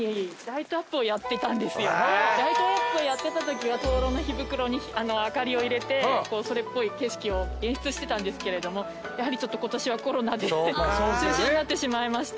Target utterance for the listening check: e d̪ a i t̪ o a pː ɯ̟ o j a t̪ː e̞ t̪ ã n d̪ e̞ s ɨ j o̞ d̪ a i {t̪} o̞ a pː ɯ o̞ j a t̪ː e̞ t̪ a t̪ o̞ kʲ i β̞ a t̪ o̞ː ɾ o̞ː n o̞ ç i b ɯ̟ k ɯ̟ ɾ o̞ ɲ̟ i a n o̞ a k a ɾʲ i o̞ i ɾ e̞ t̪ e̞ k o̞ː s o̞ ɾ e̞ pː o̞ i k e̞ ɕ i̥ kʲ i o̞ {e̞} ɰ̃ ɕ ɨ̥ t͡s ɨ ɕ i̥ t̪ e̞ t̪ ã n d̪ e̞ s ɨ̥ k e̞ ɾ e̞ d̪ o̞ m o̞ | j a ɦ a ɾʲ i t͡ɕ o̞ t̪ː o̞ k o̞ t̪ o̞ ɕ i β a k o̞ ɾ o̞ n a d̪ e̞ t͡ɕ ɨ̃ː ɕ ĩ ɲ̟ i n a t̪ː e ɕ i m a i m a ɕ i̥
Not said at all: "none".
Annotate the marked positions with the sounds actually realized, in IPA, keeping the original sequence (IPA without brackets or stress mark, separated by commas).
t̪, ẽ̞